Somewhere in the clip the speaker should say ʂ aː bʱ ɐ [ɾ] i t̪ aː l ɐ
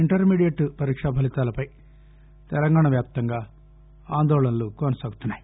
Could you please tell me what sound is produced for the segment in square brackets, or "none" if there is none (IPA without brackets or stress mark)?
l